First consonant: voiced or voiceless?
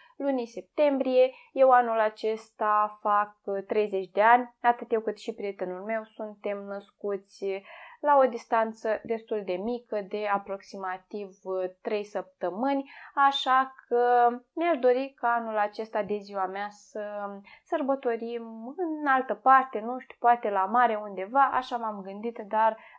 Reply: voiced